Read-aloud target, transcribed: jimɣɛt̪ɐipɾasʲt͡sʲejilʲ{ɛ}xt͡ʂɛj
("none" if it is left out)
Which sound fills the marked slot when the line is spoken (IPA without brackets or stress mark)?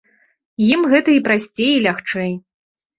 a